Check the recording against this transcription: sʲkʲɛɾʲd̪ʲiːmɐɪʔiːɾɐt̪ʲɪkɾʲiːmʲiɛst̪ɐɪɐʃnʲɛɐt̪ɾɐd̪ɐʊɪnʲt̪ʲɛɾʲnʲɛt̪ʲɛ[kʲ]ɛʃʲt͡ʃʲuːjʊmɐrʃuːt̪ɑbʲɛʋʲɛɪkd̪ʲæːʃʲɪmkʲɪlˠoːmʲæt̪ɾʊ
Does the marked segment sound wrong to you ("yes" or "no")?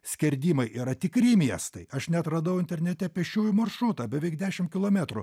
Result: yes